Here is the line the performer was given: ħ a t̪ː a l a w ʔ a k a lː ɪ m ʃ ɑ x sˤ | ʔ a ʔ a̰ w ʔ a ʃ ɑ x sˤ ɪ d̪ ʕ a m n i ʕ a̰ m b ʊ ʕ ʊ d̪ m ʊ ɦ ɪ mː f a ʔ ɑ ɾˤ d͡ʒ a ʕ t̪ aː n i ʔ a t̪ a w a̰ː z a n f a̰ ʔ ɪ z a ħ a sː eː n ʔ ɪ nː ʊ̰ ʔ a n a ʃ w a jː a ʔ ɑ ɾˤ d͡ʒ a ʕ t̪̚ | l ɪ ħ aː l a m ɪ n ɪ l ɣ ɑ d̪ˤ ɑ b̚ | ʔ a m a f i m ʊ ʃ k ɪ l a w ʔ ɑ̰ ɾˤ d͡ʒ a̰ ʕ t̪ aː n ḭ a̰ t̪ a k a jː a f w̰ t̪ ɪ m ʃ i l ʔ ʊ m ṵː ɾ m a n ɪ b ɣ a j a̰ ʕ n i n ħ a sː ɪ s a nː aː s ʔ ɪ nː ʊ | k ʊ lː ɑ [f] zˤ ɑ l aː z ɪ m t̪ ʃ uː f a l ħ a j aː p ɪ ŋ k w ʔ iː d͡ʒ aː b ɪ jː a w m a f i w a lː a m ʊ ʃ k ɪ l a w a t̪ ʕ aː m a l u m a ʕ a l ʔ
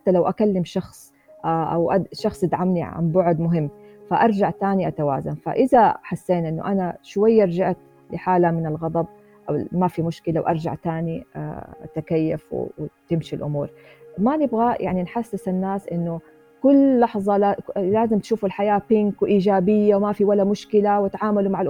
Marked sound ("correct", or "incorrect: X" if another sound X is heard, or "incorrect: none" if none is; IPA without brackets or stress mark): incorrect: ħ